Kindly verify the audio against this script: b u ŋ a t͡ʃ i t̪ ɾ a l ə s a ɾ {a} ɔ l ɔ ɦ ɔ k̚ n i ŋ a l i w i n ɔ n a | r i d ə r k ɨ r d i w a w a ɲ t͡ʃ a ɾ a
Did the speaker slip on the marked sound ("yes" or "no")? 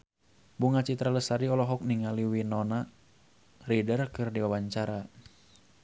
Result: yes